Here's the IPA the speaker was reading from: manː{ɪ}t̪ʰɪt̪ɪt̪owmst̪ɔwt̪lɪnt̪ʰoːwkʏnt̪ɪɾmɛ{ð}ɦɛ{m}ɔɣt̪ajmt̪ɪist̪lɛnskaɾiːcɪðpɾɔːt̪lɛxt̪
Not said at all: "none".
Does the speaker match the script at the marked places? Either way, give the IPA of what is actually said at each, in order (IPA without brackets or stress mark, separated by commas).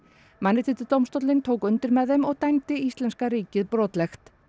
ɪ, ð, m